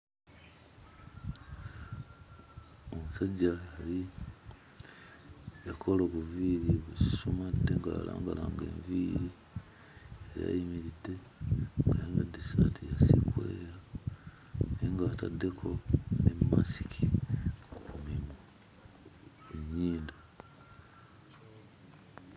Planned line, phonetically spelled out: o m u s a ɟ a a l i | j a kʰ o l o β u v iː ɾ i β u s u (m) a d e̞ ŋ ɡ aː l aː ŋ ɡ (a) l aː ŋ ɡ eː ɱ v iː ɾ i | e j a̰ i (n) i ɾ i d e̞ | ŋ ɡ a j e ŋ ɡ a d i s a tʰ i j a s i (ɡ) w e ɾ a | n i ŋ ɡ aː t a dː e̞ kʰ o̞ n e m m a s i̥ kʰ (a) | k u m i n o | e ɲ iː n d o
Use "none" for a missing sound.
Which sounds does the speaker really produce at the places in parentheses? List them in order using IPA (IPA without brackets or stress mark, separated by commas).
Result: m, a, m, k, i